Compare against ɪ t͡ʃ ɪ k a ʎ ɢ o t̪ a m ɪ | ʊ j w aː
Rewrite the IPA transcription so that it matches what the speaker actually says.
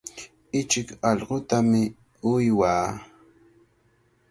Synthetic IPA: ɪ t͡ʃ ɪ k ɑ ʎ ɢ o t̪ a m ɪ | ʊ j w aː